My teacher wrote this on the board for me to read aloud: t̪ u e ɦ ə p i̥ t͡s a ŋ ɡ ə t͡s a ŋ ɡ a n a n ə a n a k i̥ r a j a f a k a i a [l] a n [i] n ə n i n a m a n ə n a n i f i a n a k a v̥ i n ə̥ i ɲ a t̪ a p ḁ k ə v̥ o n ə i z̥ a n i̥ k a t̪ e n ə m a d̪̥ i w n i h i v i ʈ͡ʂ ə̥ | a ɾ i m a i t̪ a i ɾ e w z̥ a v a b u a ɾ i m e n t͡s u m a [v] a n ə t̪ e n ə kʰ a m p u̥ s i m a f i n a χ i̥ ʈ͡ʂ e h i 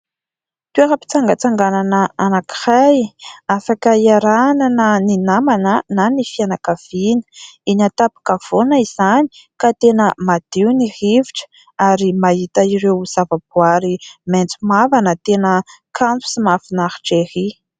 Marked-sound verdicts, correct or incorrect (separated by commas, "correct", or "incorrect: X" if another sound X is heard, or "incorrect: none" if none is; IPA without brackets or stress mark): incorrect: ɾ, incorrect: a, correct